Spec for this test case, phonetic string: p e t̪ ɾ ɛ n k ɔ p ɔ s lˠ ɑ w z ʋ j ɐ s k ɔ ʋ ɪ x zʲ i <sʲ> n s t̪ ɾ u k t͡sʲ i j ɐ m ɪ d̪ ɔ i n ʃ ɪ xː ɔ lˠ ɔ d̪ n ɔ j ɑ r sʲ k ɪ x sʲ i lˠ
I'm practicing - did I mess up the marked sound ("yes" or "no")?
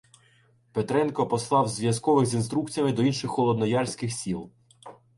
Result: yes